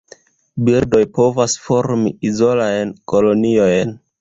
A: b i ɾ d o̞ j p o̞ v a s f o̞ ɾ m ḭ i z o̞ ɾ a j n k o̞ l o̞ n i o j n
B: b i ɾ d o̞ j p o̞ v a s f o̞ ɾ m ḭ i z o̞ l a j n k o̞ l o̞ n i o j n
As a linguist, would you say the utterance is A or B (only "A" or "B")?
B